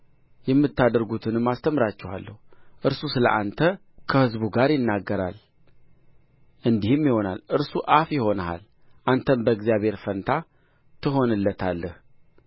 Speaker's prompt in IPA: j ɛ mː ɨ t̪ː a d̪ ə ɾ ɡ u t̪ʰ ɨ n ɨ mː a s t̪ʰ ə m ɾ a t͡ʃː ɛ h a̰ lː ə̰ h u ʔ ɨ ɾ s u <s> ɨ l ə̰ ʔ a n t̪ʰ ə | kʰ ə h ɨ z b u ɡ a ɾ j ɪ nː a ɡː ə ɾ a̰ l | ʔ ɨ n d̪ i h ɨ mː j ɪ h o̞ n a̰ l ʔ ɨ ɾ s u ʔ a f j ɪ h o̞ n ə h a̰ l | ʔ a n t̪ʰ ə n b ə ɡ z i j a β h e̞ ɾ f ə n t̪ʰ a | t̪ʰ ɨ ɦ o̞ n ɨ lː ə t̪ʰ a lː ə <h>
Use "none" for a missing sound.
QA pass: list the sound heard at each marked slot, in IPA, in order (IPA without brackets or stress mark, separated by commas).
s, h